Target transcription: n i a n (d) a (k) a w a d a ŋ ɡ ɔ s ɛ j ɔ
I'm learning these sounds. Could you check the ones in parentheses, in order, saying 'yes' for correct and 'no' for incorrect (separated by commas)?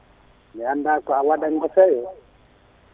yes, yes